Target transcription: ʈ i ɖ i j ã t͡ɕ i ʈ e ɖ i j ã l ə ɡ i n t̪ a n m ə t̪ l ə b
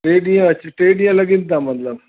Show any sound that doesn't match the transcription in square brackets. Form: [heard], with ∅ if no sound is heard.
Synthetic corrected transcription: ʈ [e] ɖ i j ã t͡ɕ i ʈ e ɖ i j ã l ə ɡ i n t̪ a [∅] m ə t̪ l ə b